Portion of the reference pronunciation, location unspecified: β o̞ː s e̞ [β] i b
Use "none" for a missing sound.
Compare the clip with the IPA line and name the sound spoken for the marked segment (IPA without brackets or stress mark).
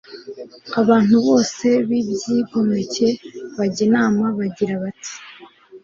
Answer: β